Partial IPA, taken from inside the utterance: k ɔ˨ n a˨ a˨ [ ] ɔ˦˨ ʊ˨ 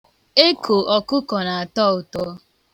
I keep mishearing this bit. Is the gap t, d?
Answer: t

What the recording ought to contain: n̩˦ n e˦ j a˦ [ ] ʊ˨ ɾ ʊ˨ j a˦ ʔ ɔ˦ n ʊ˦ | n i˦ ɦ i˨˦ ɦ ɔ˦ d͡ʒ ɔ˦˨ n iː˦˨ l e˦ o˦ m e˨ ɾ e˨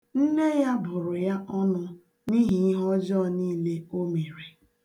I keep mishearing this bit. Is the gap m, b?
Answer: b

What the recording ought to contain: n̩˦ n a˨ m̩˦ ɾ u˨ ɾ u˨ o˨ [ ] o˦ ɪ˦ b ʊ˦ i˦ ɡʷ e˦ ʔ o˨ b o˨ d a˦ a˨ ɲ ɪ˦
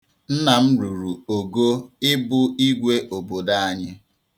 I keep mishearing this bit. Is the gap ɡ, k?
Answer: ɡ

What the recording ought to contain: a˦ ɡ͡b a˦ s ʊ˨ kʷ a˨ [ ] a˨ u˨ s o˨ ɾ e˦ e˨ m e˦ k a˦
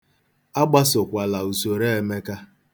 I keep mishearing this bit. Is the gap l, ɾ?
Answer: l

